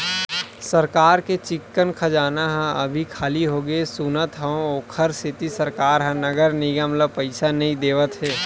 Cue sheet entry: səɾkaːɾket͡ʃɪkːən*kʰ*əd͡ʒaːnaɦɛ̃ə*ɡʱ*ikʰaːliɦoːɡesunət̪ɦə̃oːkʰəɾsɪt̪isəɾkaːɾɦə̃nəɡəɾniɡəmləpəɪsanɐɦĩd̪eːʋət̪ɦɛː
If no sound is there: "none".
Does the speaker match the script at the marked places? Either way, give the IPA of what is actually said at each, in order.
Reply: kʰ, bʱ

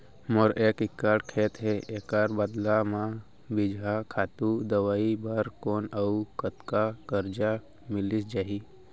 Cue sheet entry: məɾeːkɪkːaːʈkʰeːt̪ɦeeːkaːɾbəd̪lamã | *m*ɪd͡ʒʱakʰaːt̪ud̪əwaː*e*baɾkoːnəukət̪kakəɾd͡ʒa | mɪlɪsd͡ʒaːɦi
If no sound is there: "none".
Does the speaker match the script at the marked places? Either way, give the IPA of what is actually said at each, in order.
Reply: b, i

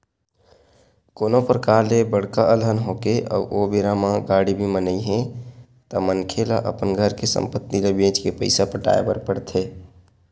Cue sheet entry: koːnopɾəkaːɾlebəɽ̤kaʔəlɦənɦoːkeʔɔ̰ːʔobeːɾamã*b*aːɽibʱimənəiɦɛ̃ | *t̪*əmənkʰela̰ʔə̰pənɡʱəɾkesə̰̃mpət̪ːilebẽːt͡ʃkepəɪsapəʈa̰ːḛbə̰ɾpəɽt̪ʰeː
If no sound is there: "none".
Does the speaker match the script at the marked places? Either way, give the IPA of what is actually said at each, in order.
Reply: ɡ, t̪

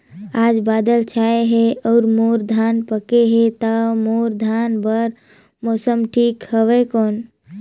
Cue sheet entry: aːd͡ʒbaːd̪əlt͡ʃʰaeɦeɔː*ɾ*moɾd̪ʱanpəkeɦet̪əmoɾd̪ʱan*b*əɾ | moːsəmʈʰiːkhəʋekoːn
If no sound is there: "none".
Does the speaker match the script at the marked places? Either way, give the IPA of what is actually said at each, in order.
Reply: ɾ, b

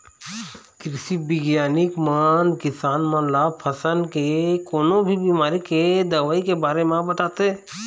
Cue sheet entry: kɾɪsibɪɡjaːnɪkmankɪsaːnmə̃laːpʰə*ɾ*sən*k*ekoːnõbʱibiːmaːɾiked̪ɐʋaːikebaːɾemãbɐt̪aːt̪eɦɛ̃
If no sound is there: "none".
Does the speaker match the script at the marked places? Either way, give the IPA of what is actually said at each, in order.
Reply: none, k

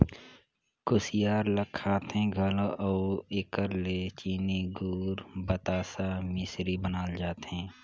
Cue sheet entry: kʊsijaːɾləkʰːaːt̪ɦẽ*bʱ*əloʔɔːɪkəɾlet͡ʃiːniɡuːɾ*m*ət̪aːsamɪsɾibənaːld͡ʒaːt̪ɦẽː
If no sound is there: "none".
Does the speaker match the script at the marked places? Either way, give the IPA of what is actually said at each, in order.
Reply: ɡʱ, b

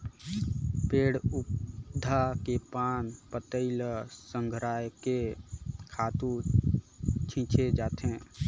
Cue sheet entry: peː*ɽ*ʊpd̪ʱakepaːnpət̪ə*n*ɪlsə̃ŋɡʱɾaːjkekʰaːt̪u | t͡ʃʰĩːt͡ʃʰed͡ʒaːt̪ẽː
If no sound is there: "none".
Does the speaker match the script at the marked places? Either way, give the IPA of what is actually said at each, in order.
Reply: ɽ, none

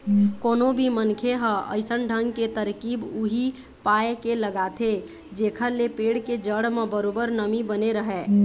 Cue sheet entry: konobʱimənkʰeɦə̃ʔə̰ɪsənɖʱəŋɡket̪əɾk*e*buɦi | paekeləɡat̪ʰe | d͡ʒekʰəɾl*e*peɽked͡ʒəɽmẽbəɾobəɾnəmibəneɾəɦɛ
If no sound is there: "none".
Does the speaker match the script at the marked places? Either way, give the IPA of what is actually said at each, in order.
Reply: i, e

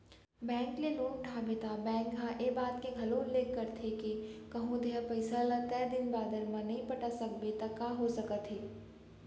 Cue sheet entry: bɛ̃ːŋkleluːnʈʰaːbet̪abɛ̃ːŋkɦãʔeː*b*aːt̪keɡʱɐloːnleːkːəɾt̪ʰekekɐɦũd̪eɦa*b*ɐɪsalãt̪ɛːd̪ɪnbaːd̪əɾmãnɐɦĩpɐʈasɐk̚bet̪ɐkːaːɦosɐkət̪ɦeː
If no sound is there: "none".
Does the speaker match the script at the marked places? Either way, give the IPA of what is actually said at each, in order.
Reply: b, p

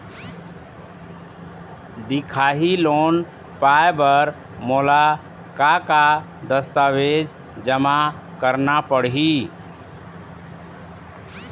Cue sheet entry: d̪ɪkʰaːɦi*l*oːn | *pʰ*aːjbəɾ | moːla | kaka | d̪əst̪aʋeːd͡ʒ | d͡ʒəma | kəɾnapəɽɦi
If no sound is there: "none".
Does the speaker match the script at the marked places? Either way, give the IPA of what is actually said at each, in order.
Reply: l, p

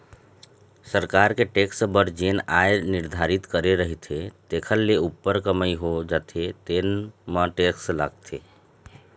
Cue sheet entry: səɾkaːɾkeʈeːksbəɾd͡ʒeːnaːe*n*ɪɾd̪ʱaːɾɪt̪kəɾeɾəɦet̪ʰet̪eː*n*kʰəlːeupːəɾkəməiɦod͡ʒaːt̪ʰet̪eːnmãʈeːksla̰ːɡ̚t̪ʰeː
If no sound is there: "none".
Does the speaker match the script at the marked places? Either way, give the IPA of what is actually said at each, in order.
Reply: n, none

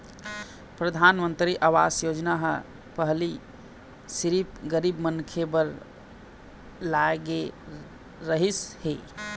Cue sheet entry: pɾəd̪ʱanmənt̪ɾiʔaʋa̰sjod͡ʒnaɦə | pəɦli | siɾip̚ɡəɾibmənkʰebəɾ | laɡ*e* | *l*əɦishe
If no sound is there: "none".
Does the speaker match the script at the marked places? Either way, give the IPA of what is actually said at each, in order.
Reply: e, ɾ

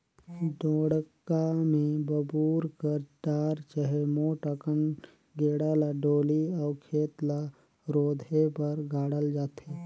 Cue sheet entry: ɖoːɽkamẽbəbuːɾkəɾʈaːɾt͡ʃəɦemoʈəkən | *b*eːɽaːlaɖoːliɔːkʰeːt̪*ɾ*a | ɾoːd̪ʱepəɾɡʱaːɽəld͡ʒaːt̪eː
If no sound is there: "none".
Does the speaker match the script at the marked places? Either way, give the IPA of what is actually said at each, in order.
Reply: ɡ, l

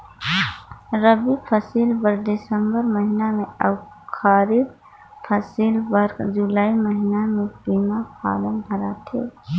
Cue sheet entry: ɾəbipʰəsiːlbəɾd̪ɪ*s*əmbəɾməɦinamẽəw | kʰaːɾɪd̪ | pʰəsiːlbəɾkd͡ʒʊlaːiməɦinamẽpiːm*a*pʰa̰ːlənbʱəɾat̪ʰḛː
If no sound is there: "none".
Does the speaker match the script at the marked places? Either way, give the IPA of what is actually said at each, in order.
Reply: s, a

